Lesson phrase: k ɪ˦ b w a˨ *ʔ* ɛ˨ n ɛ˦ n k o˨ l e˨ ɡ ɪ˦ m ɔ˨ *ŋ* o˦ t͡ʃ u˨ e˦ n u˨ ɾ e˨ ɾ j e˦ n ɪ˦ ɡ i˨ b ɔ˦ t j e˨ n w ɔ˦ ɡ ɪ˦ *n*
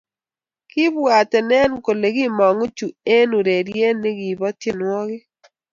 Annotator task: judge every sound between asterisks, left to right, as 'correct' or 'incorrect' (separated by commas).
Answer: incorrect, correct, incorrect